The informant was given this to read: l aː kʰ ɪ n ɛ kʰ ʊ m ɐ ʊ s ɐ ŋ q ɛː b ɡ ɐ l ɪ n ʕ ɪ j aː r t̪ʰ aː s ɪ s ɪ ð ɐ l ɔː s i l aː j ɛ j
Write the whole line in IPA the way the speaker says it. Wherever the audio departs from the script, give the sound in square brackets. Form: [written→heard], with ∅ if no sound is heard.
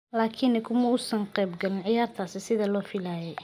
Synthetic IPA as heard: l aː kʰ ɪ n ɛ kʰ ʊ m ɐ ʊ s ɐ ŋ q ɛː b ɡ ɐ l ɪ n ʕ ɪ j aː r t̪ʰ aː s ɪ s ɪ ð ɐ l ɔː [s→f] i l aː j ɛ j